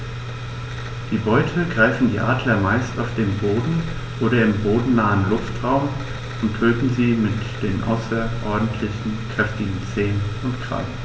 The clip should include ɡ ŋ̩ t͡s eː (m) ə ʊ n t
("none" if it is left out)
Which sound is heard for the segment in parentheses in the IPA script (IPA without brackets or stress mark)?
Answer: n